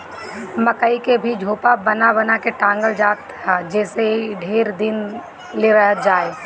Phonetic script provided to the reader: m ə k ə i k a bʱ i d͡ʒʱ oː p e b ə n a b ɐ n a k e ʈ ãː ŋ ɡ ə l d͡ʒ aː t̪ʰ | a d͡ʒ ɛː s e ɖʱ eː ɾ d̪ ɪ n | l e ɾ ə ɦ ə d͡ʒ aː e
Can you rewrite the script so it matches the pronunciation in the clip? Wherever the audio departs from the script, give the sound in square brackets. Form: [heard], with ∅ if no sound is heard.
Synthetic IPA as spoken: m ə k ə i k [e] bʱ i d͡ʒʱ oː p [a] b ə n a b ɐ n a k e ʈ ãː ŋ ɡ ə l d͡ʒ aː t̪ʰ | a d͡ʒ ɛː s e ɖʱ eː ɾ d̪ ɪ n | l e ɾ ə ɦ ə d͡ʒ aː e